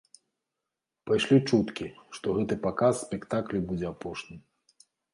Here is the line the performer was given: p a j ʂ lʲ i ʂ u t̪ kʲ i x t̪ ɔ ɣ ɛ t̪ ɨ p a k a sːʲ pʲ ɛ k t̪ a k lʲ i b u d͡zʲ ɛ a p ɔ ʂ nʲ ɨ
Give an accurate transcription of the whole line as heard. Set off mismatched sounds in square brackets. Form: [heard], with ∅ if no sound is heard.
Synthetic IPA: p a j ʂ lʲ i [t͡ʂ] u t̪ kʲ i [ʂ] t̪ ɔ ɣ ɛ t̪ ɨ p a k a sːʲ pʲ ɛ k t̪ a k lʲ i b u d͡zʲ ɛ a p ɔ ʂ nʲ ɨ